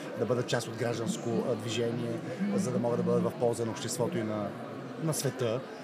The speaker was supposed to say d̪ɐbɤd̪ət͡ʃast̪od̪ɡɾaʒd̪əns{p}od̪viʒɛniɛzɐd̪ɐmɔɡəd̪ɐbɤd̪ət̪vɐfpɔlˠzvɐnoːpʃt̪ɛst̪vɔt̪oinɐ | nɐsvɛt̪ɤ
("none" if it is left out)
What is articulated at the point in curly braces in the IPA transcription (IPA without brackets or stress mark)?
k